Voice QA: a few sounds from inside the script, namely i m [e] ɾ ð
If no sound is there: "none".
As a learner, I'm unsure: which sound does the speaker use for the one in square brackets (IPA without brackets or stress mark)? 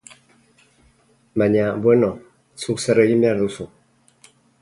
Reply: a